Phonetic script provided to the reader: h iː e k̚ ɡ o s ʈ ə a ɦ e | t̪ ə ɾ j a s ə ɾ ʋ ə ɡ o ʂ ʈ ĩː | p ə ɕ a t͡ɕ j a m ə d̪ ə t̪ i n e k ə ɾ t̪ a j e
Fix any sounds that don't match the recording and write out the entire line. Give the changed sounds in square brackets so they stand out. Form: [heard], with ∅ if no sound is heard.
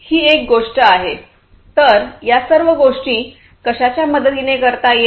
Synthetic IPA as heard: h iː e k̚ ɡ o [ʂ] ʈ ə a ɦ e | t̪ ə ɾ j a s ə ɾ ʋ ə ɡ o ʂ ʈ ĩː | [k] ə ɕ a t͡ɕ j a m ə d̪ ə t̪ i n e k ə ɾ t̪ a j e